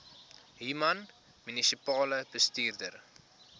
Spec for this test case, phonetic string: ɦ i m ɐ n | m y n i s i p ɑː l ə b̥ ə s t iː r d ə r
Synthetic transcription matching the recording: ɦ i m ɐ n | m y n i s i p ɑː l ə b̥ ə s t iː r d ə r